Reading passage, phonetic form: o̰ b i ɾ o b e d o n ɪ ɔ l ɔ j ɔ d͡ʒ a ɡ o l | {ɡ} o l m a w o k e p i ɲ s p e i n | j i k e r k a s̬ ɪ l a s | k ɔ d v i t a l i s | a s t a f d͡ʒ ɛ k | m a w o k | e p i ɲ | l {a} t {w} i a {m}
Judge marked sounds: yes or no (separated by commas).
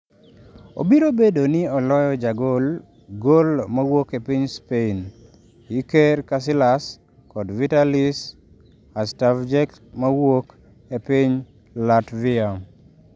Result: yes, yes, no, yes